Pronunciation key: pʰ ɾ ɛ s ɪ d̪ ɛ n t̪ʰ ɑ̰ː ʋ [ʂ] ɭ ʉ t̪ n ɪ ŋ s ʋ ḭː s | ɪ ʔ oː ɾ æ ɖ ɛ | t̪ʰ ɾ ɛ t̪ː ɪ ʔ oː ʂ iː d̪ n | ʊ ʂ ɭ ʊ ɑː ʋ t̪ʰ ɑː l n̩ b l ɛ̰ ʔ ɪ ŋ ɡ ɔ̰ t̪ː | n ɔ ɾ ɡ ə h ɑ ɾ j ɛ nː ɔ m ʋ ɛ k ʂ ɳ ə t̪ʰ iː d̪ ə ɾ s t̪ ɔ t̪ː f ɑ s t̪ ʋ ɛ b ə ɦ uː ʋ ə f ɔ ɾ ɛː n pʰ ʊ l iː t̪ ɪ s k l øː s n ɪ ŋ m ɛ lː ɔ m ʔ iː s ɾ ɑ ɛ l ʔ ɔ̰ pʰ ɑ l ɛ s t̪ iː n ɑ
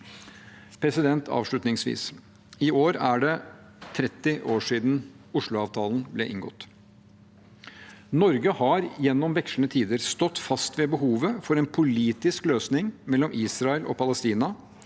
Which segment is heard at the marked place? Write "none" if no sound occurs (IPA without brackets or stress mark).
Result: ʂ